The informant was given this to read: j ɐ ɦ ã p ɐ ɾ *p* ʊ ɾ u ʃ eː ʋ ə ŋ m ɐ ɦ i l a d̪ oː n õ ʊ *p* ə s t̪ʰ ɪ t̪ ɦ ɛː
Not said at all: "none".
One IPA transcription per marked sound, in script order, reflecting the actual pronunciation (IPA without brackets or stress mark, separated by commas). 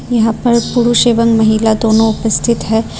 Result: p, p